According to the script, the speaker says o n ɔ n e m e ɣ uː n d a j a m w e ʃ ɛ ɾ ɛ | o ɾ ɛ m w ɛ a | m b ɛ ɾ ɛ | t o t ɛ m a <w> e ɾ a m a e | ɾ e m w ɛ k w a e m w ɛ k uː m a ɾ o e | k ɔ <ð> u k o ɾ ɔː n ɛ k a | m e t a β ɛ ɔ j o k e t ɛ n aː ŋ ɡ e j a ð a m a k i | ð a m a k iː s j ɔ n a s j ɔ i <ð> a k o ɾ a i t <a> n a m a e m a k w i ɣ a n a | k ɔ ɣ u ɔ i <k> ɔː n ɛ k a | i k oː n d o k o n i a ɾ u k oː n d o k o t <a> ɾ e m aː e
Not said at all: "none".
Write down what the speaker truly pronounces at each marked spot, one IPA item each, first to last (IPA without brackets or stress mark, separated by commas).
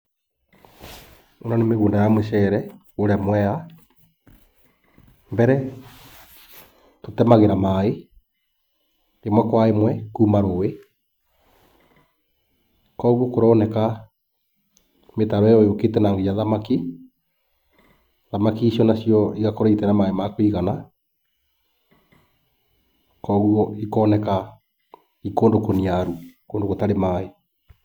ɣ, ɣ, ɣ, ɛ, k, a